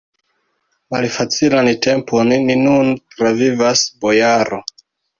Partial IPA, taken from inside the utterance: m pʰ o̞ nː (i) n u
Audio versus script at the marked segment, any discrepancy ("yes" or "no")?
no